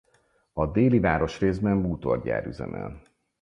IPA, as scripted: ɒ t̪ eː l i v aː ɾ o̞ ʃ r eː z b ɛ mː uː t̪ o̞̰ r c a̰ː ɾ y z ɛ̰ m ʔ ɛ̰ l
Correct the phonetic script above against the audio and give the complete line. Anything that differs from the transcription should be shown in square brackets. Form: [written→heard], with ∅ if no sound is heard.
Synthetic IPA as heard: ɒ [t̪→d̪] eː l i v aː ɾ o̞ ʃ r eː z b ɛ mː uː t̪ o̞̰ r [c→ɟ] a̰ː ɾ y z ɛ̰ m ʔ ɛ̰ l